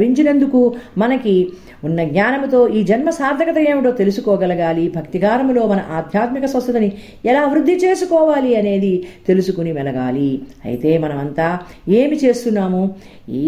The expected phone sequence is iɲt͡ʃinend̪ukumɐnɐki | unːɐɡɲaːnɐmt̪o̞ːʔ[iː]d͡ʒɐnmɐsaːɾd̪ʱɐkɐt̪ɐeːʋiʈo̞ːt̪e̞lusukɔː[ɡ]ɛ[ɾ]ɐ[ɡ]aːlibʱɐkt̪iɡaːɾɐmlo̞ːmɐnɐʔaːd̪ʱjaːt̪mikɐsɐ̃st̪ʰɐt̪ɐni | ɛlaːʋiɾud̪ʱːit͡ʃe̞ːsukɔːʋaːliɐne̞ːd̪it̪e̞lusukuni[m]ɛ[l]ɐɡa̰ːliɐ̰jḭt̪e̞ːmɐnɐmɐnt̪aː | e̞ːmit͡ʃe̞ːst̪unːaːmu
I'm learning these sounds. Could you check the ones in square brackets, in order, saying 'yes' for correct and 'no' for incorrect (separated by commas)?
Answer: yes, yes, no, yes, yes, yes